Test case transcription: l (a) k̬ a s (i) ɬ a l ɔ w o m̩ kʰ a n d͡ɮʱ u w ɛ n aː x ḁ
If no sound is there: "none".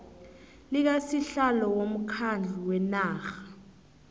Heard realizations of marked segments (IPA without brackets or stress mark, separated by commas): i, i